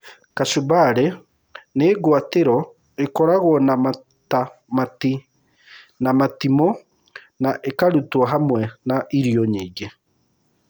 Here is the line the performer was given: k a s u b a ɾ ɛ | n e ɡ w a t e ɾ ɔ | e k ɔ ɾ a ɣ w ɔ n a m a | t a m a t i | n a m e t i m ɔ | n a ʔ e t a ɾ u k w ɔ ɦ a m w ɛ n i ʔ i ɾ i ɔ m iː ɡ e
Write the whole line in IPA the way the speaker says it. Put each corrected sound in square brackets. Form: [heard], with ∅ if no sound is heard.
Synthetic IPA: k a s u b a ɾ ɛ | n e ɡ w a t e ɾ ɔ | e k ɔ ɾ a ɣ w ɔ n a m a | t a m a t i | n a m [a] t i m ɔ | n a ʔ e [k] a ɾ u [t] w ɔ ɦ a m w ɛ n [a] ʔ i ɾ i ɔ [ɲ] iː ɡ e